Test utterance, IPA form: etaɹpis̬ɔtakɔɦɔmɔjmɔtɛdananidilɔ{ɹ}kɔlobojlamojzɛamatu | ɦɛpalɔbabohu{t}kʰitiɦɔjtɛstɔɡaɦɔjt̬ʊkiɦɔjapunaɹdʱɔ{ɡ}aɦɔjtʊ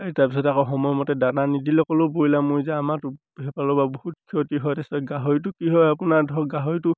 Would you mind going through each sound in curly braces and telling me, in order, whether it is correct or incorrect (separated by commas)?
incorrect, correct, correct